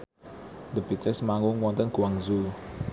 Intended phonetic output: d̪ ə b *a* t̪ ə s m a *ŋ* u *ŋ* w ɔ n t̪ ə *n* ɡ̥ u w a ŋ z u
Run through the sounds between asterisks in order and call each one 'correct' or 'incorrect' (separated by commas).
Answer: incorrect, correct, correct, correct